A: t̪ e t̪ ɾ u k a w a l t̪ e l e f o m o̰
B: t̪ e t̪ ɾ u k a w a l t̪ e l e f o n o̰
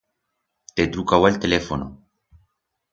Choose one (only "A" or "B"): B